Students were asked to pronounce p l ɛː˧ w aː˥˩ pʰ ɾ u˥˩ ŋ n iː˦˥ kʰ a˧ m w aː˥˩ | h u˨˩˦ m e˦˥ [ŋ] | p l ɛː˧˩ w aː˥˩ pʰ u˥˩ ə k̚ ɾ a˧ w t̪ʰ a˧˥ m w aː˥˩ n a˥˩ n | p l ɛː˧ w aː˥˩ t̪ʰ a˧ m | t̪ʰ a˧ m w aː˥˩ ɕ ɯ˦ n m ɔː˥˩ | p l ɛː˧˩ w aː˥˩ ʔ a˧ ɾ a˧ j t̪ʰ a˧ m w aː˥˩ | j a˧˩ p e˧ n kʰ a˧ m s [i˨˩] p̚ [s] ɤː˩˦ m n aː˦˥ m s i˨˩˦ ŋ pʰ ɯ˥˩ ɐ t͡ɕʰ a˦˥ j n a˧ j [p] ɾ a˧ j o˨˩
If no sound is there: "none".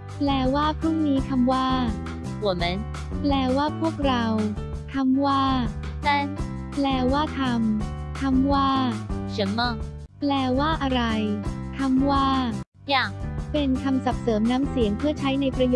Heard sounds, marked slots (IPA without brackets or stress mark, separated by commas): n, a˨˩, s, p